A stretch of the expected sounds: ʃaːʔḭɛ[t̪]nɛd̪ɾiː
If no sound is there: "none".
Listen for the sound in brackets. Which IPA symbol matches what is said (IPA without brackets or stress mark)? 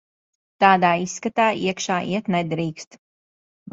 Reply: t̪